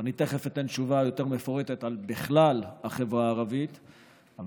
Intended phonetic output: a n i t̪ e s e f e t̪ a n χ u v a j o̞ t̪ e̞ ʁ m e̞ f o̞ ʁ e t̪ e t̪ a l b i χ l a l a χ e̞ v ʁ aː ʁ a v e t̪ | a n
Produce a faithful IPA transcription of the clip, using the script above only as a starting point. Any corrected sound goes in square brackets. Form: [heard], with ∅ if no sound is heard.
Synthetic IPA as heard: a n i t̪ e [χ] e f e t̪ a n [ʃ] u v a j o̞ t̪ e̞ ʁ m e̞ f o̞ ʁ e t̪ e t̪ a l b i χ l a l a χ e̞ v ʁ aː ʁ a v [i] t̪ | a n